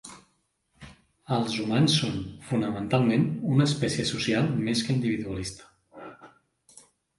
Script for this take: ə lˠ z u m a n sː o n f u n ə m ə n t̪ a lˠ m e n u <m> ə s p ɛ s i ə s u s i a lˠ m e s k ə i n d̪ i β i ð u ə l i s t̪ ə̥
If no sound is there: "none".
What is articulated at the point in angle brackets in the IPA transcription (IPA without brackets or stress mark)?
n